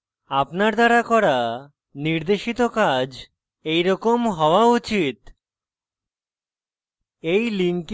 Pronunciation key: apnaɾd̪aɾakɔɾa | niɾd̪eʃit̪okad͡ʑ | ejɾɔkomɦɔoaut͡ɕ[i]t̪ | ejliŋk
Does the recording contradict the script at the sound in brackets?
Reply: no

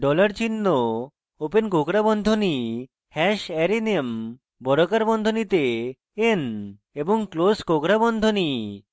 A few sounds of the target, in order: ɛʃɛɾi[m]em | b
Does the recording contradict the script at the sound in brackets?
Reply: yes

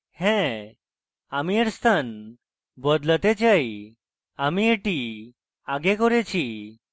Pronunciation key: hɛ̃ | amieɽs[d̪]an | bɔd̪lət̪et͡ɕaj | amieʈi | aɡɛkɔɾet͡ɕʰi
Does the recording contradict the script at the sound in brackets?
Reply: yes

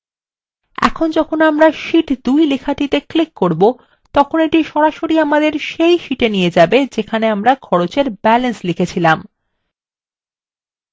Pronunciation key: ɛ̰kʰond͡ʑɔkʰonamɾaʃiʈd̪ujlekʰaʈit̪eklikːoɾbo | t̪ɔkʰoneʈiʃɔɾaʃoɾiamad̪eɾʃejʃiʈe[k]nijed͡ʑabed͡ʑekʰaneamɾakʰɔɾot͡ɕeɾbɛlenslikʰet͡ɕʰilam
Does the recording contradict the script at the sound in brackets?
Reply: yes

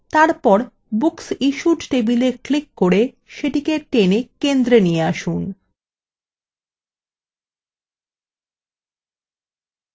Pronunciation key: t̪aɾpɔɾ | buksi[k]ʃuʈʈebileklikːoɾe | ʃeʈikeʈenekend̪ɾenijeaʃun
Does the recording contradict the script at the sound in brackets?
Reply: yes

